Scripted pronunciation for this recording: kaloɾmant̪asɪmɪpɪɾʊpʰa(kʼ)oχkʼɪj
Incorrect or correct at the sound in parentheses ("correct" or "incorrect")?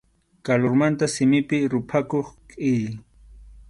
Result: incorrect